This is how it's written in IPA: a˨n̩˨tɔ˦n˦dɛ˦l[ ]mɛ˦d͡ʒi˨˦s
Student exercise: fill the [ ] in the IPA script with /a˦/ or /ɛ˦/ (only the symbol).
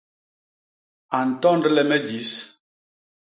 ɛ˦